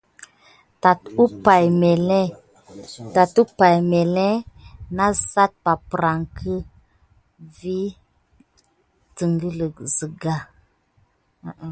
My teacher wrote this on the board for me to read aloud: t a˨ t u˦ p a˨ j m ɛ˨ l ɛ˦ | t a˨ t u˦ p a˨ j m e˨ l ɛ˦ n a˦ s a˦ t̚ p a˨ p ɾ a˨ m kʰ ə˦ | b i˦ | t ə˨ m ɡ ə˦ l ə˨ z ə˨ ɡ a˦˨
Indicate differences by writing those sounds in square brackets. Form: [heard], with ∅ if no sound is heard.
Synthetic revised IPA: t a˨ t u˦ p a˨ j m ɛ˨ l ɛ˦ | t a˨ t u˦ p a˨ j m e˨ l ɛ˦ n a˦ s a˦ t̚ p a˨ p ɾ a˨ [ŋ] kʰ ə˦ | [v] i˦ | t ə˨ [ŋ] ɡ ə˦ l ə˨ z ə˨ ɡ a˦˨

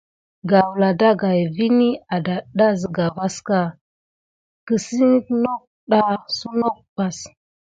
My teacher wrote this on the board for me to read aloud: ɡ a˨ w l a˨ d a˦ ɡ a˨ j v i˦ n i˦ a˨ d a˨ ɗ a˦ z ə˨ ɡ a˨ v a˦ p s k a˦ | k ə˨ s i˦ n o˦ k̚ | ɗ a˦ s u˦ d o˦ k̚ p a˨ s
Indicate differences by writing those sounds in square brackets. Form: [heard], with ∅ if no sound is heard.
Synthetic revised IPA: ɡ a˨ w l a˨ d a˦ ɡ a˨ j v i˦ n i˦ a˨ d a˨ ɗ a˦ z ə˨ ɡ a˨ v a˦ [∅] s k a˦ | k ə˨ s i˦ n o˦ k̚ | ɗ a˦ s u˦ [n] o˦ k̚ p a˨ s

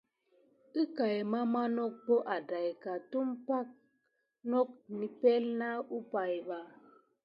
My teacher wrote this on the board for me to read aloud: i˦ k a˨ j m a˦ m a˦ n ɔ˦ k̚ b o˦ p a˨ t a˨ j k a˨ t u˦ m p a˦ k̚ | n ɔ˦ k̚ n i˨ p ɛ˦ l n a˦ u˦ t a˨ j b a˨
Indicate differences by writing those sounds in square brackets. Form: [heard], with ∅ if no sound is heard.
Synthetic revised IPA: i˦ k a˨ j m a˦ m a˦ n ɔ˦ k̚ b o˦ [ʔ] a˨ [d] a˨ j k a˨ t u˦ m p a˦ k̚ | n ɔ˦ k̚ n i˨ p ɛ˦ l n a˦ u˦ [p] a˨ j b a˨

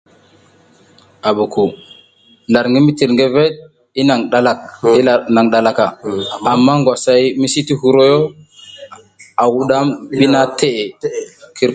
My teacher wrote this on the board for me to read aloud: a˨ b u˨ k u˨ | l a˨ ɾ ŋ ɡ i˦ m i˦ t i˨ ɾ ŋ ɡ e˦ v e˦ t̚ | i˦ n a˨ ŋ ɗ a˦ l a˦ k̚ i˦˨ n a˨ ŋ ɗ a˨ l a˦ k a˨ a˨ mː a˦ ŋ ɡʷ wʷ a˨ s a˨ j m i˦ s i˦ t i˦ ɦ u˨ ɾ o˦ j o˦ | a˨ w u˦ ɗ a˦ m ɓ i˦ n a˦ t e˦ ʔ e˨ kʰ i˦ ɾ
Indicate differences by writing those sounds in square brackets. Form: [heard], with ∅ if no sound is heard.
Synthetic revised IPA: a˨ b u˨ k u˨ | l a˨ ɾ ŋ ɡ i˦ m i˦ t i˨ ɾ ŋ ɡ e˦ v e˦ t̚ | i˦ n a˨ ŋ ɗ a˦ l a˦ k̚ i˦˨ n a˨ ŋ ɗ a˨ l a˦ k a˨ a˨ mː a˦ ŋ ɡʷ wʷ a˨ s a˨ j m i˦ s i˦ t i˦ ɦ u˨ ɾ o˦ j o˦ | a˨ w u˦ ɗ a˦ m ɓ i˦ n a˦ t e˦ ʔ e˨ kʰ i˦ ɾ

